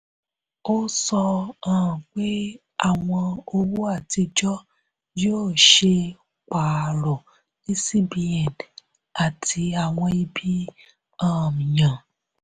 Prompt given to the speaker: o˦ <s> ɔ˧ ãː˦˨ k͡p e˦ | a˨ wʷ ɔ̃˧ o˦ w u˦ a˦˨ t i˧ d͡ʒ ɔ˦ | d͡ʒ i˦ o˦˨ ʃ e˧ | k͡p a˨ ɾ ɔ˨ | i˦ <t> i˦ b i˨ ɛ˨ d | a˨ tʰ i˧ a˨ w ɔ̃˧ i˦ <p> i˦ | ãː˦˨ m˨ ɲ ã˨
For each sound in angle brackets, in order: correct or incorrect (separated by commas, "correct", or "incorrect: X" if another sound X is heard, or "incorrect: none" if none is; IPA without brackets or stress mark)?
correct, incorrect: s, incorrect: b